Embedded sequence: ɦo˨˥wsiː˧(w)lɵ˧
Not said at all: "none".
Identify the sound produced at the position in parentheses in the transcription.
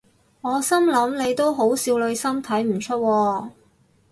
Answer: w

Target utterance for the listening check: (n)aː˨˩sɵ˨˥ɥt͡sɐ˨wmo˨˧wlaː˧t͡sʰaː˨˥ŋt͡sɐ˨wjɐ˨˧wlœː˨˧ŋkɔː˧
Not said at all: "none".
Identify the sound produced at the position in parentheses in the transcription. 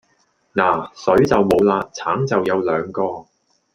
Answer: n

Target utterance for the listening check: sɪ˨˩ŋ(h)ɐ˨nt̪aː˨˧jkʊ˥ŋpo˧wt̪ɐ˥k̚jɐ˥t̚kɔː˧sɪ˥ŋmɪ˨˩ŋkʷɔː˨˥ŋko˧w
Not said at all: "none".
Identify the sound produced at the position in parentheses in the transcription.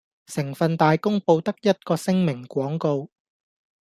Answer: f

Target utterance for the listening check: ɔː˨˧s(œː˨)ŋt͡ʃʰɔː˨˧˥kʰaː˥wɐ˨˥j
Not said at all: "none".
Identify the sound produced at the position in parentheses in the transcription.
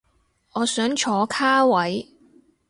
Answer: œː˨˥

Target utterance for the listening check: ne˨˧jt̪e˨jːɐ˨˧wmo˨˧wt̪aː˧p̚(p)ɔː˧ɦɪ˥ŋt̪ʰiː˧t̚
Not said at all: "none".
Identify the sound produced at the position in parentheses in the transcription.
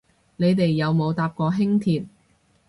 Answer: k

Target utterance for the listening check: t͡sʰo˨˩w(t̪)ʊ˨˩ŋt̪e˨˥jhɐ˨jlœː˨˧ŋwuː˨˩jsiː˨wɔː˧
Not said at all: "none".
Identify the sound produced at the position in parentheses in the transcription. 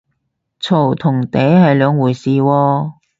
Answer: t̪ʰ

